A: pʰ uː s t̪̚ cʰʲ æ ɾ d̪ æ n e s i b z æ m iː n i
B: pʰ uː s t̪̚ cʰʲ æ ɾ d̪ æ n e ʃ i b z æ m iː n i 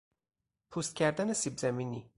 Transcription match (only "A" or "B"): A